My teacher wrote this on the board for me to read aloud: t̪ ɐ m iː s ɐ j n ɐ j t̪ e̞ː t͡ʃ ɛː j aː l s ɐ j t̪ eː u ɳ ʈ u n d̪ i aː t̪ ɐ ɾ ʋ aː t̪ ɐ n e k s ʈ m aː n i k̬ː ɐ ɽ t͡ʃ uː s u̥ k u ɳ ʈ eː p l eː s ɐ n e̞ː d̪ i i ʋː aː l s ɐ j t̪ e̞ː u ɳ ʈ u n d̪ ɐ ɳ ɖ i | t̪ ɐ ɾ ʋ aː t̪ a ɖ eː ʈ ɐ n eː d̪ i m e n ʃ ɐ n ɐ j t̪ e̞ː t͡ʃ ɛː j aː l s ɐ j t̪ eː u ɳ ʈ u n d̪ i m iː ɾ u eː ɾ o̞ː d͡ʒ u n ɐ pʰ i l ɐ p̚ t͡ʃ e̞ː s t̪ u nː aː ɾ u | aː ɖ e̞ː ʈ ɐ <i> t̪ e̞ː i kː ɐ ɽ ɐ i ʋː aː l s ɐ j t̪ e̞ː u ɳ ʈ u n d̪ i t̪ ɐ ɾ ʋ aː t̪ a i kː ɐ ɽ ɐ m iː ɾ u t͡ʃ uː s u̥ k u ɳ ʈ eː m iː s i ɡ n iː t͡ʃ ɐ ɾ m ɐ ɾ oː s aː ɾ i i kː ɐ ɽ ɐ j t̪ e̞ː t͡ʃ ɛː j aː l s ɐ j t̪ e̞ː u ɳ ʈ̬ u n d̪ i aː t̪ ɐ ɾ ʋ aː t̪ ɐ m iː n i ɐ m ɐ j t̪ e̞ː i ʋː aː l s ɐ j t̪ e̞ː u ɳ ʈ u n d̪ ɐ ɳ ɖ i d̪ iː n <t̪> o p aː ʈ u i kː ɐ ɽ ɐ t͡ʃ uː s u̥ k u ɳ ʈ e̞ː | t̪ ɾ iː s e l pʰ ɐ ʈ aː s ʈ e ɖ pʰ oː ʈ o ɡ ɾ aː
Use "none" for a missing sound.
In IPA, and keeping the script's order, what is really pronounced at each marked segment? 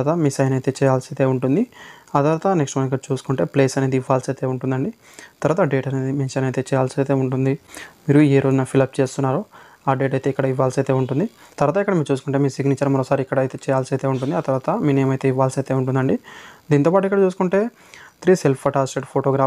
j, t̪

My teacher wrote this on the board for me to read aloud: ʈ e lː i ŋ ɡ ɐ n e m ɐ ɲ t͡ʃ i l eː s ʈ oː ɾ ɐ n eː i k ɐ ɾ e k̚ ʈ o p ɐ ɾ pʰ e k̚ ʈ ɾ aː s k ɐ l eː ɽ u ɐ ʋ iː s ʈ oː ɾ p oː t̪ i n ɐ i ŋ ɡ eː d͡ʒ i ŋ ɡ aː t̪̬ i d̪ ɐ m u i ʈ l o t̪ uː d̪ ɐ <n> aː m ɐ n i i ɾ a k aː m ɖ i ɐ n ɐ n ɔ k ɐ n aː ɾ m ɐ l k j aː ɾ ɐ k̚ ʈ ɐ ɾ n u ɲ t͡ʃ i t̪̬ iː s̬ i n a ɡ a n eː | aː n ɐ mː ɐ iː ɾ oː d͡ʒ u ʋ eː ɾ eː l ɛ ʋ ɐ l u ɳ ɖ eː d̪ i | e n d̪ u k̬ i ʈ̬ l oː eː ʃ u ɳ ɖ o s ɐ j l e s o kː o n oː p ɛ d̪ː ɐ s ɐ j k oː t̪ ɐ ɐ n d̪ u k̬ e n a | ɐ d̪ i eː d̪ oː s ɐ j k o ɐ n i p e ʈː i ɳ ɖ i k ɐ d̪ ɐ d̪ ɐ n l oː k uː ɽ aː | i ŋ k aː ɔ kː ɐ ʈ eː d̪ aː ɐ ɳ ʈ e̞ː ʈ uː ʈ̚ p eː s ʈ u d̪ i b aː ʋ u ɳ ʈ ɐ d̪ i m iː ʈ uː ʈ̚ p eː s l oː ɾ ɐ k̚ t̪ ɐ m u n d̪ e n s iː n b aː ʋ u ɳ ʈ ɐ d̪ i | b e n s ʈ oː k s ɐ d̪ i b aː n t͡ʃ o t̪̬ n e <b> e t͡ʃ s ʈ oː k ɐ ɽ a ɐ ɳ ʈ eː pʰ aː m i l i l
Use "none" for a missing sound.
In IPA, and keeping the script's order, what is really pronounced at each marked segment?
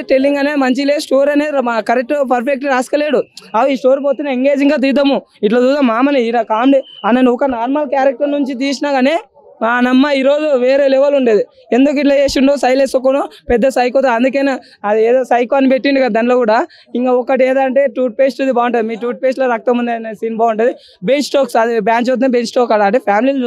m, b

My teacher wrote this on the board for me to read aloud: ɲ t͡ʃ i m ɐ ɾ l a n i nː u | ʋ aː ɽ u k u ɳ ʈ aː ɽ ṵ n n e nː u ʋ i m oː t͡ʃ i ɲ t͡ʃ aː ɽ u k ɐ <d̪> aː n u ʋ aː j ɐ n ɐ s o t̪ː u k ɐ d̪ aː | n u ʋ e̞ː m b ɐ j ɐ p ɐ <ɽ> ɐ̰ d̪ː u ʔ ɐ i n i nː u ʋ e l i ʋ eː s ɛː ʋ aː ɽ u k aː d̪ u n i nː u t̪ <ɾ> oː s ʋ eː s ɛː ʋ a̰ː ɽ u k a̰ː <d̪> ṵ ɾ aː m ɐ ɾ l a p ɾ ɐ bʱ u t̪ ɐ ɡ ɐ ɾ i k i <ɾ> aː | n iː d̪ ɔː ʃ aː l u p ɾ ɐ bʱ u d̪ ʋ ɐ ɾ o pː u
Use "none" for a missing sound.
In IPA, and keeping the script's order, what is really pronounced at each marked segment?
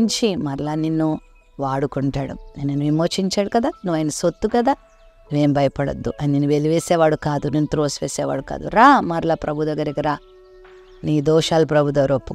d̪, ɽ, ɾ, d̪, ɾ

